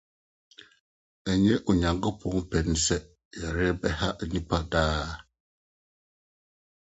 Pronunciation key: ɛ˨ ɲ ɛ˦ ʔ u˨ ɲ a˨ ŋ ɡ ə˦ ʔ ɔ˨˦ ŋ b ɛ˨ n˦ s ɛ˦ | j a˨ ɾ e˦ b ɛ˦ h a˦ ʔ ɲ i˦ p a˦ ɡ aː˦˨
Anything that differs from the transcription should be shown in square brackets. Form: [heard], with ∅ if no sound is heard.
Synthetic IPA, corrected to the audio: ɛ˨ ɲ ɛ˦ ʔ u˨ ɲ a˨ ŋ ɡ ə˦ [p] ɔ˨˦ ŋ [p] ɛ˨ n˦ s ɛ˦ | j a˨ ɾ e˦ b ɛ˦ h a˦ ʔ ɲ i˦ p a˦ [d] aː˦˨